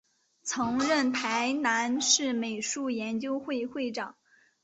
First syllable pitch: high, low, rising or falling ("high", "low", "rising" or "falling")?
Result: rising